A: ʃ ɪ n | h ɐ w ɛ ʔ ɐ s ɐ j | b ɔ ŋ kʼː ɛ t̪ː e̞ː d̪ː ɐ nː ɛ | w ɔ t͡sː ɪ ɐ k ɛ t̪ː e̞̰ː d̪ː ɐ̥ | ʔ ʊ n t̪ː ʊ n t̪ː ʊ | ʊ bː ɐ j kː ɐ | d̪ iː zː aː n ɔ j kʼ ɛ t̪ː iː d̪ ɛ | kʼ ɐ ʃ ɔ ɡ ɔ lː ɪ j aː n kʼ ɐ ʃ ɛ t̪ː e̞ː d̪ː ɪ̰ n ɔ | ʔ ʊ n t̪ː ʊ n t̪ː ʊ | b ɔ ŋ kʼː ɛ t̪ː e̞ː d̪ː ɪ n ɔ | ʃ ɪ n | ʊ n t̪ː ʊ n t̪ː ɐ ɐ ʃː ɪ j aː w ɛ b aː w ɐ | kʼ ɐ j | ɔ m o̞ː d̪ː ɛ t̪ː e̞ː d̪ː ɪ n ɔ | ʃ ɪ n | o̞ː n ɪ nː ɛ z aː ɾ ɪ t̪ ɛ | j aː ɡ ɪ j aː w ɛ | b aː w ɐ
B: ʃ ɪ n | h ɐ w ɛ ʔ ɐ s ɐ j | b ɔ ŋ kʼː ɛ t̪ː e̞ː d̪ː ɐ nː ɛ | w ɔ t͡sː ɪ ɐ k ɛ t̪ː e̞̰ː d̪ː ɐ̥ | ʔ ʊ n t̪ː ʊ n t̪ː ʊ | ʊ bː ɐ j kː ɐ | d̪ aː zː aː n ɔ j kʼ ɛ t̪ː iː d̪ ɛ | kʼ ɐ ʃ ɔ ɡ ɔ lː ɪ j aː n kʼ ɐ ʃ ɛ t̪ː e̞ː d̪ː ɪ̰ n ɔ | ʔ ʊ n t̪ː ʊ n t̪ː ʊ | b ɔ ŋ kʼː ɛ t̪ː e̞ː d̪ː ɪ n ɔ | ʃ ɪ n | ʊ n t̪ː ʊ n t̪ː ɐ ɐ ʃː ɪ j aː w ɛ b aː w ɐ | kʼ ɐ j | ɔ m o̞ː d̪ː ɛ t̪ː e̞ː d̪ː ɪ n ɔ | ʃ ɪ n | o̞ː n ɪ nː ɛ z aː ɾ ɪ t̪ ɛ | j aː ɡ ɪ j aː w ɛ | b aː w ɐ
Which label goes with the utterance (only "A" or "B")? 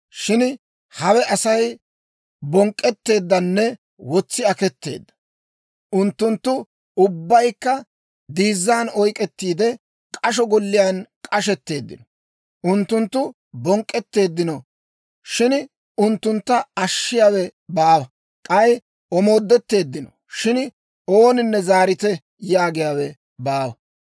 A